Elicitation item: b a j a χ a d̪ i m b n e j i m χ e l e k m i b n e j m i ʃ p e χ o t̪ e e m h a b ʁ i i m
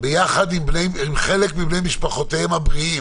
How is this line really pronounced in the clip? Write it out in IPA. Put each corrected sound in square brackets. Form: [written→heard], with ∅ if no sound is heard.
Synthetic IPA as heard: b [a→e] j a χ a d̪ i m b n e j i m χ e l e k m i b n e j m i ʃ p [e→a] χ o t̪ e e m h a b ʁ i i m